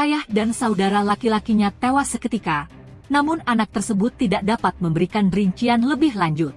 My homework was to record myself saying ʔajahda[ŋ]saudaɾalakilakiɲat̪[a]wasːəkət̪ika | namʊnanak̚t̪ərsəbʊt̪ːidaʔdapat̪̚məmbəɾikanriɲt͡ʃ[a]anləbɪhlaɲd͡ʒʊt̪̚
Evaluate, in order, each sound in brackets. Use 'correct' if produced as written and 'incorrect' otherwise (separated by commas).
incorrect, incorrect, incorrect